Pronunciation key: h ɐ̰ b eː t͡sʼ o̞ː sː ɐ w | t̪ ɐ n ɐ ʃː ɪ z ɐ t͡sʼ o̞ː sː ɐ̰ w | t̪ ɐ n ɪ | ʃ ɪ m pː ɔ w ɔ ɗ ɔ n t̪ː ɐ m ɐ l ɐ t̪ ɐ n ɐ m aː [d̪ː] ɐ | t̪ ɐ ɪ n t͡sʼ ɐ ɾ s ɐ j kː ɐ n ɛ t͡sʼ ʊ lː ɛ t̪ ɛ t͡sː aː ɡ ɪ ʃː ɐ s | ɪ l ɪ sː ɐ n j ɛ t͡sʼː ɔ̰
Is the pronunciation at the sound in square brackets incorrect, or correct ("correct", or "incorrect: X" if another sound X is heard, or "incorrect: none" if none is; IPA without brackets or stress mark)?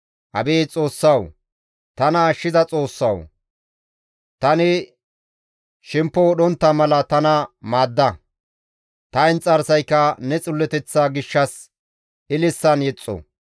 correct